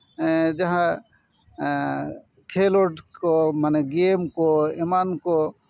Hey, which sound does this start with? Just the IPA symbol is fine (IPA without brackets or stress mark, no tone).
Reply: d͡ʒ